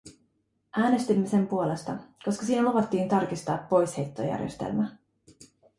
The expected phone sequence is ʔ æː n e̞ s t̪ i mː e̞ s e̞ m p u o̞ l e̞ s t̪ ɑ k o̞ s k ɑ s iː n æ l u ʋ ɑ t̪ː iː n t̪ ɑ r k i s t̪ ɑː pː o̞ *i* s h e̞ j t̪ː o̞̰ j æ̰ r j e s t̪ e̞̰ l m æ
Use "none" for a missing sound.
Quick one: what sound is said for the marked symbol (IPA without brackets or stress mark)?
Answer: j